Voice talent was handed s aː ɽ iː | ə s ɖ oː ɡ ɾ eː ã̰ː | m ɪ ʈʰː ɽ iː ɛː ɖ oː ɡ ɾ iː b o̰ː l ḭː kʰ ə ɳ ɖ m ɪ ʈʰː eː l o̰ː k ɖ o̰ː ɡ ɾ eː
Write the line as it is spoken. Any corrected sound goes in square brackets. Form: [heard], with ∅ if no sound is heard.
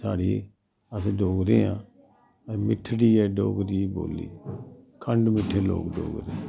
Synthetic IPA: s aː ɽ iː | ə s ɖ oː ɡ ɾ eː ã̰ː | m ɪ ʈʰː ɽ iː ɛː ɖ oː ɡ ɾ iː b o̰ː l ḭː kʰ ə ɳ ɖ m ɪ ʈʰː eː l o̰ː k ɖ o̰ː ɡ ɾ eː